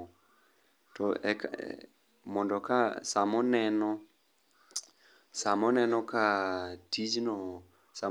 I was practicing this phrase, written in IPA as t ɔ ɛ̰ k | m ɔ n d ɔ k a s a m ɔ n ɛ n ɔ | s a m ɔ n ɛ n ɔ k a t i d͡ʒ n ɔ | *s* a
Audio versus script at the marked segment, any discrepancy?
no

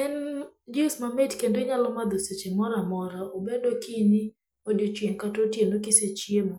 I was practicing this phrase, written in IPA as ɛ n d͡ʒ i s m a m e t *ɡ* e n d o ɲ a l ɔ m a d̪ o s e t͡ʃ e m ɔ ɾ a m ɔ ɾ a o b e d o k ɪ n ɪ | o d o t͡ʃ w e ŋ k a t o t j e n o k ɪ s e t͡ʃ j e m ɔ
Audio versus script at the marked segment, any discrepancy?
yes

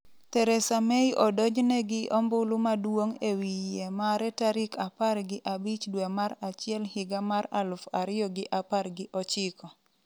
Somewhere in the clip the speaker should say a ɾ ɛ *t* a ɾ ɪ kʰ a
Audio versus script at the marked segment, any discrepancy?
no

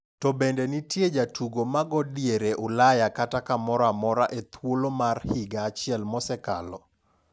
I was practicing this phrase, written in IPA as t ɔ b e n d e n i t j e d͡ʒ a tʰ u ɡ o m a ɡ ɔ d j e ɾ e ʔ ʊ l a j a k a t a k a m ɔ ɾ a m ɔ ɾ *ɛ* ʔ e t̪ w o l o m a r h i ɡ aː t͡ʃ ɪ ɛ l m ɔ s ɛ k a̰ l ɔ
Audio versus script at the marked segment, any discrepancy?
yes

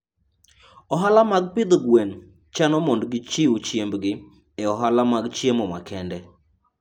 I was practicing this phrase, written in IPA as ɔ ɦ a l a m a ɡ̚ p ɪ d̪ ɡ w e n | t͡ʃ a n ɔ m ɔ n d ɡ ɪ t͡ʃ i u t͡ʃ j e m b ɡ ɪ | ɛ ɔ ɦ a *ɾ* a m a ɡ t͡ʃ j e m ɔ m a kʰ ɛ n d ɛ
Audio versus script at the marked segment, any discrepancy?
yes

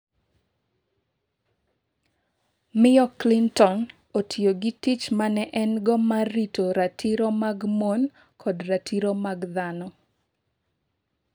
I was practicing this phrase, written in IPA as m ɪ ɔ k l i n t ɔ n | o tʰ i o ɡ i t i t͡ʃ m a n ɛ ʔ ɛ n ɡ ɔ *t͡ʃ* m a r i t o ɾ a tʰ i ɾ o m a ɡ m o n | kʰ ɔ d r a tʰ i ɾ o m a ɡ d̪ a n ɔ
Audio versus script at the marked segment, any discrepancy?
yes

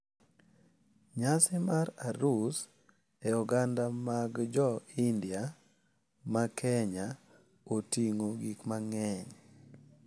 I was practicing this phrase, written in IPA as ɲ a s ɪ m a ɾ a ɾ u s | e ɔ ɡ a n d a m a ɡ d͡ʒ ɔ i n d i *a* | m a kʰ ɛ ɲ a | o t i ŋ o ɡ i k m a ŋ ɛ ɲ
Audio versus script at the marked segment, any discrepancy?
no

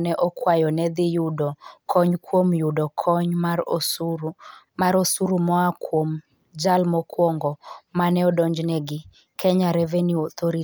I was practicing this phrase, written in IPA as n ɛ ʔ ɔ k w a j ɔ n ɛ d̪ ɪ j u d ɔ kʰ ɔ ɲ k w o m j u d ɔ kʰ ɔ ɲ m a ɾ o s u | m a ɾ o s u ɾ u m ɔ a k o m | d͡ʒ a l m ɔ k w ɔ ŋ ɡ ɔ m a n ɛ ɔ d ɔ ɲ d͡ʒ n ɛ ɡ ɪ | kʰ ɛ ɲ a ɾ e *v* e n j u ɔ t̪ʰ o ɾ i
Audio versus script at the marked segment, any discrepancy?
no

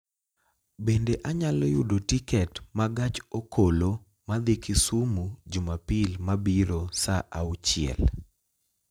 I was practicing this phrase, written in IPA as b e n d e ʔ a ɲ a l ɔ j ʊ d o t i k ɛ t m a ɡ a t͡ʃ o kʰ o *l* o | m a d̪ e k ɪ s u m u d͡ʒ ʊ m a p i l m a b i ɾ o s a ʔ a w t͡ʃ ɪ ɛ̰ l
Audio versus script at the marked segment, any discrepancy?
no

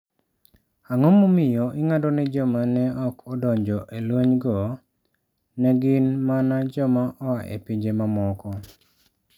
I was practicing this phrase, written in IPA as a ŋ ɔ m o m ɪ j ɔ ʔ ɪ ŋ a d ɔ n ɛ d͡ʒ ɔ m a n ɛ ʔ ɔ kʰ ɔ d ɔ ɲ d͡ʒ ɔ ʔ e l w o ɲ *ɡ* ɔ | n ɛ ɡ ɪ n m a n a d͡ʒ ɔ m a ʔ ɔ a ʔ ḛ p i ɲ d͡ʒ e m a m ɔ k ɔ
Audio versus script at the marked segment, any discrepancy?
no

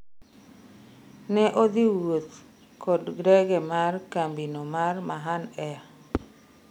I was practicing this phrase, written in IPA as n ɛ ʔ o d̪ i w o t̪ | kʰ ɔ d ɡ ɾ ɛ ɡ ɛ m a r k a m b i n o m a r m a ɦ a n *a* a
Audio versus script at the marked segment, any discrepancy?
yes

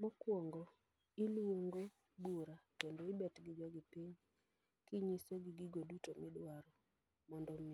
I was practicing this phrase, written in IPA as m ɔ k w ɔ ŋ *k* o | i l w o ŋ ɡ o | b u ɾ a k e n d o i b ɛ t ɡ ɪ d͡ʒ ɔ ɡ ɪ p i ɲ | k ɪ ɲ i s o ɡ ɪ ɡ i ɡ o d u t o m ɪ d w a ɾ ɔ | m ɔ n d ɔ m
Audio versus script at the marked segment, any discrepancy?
yes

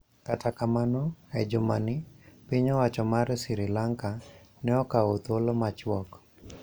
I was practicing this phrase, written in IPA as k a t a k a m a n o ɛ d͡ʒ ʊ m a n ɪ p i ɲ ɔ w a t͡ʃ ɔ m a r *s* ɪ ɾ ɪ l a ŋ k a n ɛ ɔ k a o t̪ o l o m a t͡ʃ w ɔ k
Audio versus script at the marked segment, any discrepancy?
no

